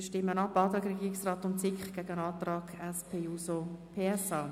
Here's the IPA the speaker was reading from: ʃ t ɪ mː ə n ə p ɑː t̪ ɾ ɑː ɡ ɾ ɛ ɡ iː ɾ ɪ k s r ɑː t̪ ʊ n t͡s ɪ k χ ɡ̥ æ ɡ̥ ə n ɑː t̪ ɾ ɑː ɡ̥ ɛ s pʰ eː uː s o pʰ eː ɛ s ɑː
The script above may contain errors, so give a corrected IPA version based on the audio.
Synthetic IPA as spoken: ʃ t ɪ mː ə n ɑ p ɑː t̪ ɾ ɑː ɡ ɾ ɛ ɡ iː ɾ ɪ k s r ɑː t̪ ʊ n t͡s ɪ k χ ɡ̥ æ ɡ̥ ə n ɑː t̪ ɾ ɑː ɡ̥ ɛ s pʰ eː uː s o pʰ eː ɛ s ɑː